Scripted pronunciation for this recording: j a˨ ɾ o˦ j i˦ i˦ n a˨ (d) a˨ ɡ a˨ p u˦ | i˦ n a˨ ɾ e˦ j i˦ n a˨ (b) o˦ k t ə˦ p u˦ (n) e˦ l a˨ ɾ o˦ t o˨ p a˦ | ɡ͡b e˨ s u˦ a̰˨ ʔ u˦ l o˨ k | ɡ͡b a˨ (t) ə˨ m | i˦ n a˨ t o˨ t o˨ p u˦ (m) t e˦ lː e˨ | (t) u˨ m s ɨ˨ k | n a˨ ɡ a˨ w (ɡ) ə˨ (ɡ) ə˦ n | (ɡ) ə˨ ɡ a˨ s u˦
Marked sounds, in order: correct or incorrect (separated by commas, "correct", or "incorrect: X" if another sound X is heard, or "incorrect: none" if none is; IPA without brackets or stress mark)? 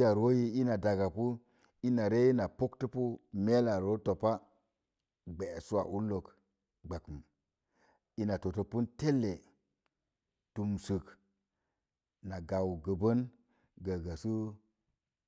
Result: correct, incorrect: p, incorrect: m, incorrect: k, incorrect: n, correct, correct, incorrect: b, correct